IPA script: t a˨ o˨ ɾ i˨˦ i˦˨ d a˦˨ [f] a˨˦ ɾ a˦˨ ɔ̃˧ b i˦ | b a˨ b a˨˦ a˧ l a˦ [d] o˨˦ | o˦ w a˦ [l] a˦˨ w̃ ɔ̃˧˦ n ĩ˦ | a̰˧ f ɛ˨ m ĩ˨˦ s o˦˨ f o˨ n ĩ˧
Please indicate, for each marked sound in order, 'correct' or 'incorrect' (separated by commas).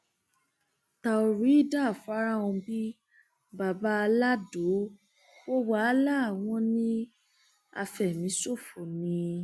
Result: correct, correct, correct